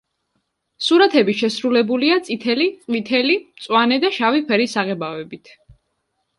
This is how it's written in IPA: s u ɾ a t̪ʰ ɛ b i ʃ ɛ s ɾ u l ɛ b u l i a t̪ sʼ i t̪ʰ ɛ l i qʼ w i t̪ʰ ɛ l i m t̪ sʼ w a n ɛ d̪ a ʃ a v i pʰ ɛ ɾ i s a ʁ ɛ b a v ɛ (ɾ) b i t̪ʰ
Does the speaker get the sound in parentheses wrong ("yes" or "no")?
yes